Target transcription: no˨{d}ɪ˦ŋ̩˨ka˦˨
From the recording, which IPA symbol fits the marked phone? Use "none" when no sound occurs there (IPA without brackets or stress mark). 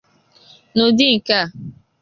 d